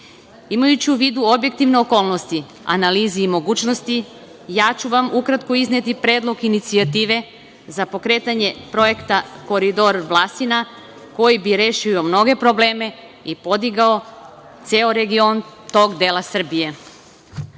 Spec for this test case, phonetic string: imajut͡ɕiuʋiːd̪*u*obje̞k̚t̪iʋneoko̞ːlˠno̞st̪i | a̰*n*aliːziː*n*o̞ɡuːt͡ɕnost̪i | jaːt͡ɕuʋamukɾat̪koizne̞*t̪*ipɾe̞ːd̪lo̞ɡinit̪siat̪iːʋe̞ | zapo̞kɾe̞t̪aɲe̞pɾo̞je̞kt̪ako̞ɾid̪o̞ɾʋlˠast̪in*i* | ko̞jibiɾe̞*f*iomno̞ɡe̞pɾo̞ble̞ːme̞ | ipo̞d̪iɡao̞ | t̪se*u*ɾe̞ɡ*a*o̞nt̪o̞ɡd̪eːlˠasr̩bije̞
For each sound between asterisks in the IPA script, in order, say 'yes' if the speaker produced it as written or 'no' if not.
yes, yes, no, yes, no, no, no, no

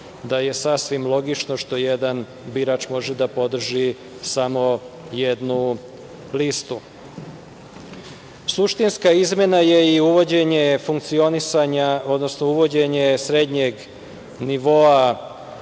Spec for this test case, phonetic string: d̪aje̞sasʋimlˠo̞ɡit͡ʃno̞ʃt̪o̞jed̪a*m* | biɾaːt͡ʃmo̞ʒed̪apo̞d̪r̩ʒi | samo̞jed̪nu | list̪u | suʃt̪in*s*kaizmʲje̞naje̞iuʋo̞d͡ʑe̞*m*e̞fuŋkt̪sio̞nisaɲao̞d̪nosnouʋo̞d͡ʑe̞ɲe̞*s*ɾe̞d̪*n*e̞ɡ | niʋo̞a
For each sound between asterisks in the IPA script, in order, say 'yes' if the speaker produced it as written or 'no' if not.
no, yes, no, yes, no

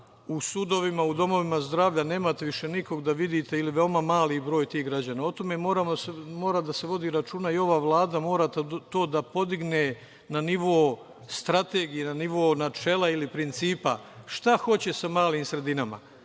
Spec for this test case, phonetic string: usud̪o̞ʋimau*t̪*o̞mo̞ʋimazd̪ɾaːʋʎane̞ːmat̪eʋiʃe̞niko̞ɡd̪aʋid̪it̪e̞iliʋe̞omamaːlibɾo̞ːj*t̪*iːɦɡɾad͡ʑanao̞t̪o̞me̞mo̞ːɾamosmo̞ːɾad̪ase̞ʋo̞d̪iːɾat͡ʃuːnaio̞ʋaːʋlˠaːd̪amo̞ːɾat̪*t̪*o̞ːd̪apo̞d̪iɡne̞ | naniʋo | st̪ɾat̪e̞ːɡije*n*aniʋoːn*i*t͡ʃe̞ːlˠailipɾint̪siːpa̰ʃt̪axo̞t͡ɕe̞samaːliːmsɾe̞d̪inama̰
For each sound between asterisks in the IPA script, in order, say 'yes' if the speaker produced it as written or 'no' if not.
no, yes, yes, yes, no

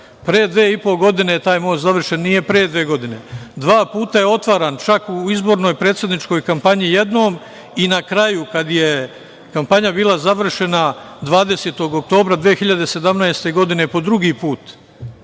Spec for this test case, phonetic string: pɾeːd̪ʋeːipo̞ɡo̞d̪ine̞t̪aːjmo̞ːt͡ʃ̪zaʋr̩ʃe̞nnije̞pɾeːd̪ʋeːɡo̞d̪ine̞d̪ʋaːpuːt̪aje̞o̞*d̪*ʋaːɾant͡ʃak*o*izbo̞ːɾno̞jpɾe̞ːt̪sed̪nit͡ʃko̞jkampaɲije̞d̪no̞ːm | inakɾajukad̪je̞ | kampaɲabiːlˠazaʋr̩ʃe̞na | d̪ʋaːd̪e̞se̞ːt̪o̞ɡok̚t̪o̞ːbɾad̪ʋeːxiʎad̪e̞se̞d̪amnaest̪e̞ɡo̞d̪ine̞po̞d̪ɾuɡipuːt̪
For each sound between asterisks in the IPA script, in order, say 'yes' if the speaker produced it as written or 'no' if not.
no, no

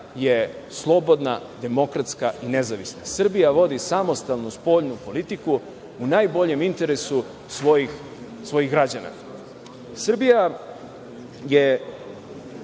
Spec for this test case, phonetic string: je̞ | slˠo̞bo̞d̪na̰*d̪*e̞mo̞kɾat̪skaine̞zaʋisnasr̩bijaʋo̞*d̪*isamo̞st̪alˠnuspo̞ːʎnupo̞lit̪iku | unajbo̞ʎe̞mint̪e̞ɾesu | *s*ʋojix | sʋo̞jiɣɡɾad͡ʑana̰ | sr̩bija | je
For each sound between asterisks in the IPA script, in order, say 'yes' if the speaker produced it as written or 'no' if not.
yes, yes, yes

